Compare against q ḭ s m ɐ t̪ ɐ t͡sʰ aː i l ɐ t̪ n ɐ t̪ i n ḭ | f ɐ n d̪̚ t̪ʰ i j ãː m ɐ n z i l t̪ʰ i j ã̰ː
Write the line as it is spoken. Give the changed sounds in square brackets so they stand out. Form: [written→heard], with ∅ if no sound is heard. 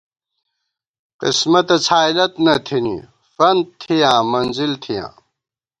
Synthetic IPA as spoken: q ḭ s m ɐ t̪ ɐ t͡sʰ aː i l ɐ t̪ n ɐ [t̪→t̪ʰ] i n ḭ | f ɐ n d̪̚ t̪ʰ i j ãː m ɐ n z i l t̪ʰ i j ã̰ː